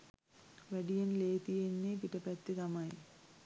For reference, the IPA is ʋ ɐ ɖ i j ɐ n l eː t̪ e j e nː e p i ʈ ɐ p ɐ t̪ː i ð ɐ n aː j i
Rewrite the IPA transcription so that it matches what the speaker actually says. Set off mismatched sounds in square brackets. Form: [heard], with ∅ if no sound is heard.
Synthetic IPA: ʋ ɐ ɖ i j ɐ n l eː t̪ [i] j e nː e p i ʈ ɐ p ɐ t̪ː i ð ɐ [m] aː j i